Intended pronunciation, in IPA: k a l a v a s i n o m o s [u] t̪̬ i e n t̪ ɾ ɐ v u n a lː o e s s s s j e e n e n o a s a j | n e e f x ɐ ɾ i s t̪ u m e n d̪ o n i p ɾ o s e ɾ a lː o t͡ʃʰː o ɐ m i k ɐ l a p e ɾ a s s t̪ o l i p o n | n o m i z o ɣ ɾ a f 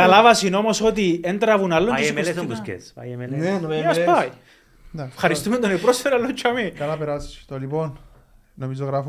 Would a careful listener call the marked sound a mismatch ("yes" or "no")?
yes